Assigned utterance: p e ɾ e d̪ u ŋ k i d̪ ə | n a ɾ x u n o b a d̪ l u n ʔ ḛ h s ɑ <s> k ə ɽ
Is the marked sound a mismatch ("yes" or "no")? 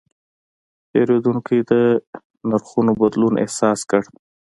no